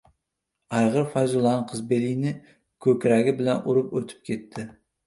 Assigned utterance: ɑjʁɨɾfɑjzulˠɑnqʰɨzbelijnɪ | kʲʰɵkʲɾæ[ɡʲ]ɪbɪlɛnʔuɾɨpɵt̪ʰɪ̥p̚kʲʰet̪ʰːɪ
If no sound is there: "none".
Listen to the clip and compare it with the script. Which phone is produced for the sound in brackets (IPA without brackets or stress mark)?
ɡʲ